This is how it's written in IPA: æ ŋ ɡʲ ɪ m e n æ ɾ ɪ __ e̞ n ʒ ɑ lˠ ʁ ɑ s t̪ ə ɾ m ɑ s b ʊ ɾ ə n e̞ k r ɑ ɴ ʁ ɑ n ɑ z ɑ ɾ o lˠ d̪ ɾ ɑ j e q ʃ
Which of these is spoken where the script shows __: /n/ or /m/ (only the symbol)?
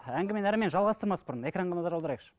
m